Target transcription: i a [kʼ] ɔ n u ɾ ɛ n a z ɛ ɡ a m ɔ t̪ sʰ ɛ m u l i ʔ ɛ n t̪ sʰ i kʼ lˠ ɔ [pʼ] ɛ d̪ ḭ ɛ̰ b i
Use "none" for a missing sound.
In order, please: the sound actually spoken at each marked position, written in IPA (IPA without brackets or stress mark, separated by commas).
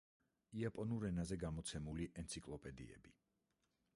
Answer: pʼ, pʼ